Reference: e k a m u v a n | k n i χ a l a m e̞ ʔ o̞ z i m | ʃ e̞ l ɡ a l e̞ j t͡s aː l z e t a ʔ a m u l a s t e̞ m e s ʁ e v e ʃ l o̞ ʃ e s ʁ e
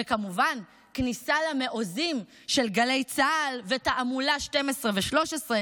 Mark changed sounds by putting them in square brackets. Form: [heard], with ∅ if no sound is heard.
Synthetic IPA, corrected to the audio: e k a m u v a n | k n i [s] a l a m e̞ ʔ o̞ z i m | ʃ e̞ l ɡ a l e̞ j t͡s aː l [v] e t a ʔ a m u l a [ʃ] t e̞ m e s ʁ e v e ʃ l o̞ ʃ e s ʁ e